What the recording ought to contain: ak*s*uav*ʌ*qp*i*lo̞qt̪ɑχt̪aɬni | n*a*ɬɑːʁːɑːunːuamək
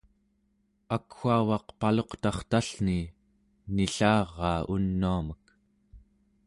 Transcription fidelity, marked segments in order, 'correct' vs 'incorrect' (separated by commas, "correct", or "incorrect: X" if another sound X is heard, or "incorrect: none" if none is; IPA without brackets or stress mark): incorrect: x, incorrect: ɑ, incorrect: a, incorrect: i